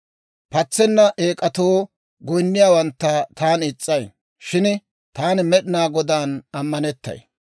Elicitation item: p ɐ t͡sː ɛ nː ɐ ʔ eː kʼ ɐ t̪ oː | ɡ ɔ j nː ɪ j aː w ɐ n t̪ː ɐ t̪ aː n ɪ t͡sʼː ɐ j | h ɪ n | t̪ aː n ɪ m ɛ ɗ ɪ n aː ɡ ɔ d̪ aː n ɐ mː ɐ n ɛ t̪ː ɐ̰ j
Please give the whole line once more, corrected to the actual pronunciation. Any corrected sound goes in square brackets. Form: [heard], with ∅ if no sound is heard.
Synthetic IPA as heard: p ɐ t͡sː ɛ nː ɐ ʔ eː kʼ ɐ t̪ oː | ɡ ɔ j nː ɪ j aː w ɐ n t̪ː ɐ t̪ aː n ɪ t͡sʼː ɐ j | [ʃ] ɪ n | t̪ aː n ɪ m ɛ ɗ ɪ n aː ɡ ɔ d̪ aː n ɐ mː ɐ n ɛ t̪ː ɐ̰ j